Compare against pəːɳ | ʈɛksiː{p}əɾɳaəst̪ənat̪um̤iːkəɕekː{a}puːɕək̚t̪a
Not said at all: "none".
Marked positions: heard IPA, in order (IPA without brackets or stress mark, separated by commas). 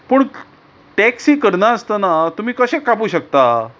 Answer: k, a